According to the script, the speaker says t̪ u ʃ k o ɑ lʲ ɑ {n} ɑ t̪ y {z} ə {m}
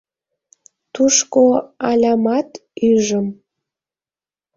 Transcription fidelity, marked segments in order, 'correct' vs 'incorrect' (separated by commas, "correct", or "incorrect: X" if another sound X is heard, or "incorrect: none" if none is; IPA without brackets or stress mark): incorrect: m, incorrect: ʒ, correct